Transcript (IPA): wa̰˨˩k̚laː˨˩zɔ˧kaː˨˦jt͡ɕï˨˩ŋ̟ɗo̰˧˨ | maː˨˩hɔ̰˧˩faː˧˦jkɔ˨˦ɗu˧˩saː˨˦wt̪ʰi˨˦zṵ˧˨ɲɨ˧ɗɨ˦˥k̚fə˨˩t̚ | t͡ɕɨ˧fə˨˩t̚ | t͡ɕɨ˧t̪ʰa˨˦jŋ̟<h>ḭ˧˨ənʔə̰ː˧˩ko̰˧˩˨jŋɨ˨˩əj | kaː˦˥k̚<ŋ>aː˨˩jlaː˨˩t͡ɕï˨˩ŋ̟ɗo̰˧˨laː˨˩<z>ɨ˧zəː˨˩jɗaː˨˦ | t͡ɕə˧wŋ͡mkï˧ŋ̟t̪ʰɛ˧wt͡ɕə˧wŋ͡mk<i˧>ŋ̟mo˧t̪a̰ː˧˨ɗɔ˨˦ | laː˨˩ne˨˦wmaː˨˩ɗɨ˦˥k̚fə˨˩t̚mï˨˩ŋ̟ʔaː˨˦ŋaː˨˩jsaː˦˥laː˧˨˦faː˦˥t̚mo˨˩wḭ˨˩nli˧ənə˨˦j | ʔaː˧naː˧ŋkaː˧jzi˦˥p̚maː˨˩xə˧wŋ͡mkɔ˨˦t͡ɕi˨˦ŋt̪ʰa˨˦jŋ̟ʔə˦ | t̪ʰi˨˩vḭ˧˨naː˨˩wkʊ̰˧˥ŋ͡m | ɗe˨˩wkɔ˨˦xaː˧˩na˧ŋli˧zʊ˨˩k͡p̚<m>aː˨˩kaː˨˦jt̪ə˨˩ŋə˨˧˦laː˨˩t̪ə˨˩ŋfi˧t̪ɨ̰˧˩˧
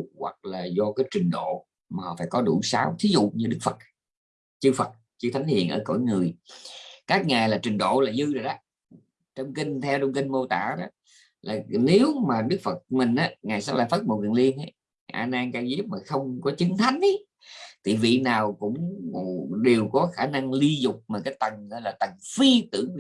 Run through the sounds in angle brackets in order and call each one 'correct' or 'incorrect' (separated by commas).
correct, correct, correct, correct, correct